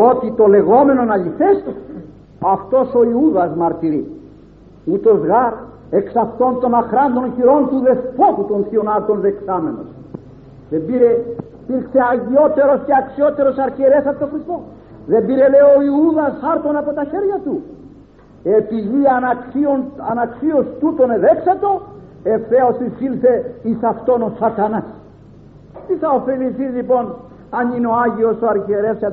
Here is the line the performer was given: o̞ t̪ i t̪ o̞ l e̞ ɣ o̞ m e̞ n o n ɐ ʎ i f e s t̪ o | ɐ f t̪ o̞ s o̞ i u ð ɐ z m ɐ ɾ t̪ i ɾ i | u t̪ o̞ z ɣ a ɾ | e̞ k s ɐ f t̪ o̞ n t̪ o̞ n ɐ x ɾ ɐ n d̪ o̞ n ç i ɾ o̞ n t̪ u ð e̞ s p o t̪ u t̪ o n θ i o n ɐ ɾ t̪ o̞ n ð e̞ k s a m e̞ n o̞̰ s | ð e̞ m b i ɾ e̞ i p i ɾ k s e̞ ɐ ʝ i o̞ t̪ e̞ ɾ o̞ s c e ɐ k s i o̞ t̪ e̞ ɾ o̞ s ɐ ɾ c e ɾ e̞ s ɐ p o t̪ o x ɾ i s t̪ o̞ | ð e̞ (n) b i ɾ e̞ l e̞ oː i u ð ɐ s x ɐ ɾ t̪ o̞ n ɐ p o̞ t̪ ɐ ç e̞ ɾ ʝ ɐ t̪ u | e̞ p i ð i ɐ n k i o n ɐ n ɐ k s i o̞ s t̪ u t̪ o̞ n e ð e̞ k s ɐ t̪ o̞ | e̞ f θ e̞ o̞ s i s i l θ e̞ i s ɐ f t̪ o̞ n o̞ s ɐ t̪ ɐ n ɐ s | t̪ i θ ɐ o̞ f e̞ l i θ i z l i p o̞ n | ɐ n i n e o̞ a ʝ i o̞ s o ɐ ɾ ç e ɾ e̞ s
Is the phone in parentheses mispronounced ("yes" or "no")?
yes